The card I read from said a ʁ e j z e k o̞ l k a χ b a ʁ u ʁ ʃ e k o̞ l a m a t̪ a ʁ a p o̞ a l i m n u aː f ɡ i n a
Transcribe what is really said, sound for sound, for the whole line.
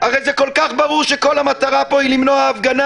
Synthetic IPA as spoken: a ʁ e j z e k o̞ l k a χ b a ʁ u ʁ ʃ e k o̞ l a m a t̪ a ʁ a p o̞ i l i m n o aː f ɡ a n a